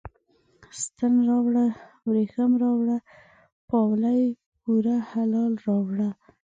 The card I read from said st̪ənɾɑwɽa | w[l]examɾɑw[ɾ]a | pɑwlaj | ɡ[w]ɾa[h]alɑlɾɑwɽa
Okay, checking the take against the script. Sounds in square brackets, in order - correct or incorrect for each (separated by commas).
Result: incorrect, incorrect, incorrect, correct